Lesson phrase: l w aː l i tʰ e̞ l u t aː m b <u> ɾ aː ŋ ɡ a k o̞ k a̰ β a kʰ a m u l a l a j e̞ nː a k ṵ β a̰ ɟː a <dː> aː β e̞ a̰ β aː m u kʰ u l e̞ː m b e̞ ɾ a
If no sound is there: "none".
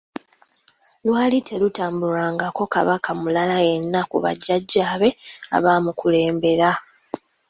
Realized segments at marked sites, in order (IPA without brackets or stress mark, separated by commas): u, ɟː